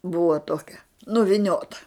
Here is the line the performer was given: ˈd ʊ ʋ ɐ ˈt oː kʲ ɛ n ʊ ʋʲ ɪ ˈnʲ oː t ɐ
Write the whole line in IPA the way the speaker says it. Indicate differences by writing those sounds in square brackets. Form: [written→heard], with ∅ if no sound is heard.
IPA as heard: [ˈd→ˈb] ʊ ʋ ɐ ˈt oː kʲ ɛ n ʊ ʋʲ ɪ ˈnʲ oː t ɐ